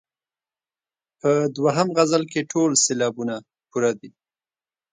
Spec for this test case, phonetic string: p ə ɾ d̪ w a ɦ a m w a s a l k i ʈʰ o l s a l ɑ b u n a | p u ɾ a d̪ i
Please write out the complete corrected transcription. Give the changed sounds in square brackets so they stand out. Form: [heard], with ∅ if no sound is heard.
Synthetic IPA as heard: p ə [∅] d̪ w a ɦ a m [ɣ] a [z] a l k [e] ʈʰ o l s [e] l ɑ b u n a | p u ɾ a d̪ i